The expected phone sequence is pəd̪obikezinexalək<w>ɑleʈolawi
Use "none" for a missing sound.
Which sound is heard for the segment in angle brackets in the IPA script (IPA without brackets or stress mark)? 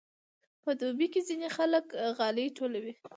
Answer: ɣ